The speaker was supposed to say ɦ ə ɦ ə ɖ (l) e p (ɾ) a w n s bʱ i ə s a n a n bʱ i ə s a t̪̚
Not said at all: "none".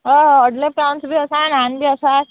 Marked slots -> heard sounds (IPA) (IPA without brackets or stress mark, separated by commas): l, ɾ